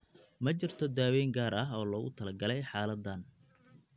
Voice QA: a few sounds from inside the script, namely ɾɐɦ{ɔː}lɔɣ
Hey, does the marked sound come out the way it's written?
yes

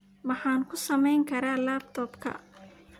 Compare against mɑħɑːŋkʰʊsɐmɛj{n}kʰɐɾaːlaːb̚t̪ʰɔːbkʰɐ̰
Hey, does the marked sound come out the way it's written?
no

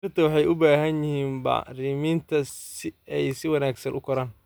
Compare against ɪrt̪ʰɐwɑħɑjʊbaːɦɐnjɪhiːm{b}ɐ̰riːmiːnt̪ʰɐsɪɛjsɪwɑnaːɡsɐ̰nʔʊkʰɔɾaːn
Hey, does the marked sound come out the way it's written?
yes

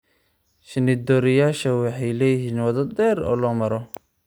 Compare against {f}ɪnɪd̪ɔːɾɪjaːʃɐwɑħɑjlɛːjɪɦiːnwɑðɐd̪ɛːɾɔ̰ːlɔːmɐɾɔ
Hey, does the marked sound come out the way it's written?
no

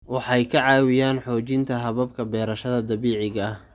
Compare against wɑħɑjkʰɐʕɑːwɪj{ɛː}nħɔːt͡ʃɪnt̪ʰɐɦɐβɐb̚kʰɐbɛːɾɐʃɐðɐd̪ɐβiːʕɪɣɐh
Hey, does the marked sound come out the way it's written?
no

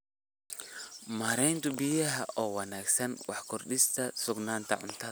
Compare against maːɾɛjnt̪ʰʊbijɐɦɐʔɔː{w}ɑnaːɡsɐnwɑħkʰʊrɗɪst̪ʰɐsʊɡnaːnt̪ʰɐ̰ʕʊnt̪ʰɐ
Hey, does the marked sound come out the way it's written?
yes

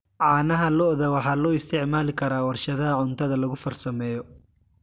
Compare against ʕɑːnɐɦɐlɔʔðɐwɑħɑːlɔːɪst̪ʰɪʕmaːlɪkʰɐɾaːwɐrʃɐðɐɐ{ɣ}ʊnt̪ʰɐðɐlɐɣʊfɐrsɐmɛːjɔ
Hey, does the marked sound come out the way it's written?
no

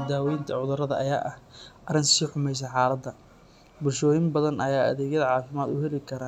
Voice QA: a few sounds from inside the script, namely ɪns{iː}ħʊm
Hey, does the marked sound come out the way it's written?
yes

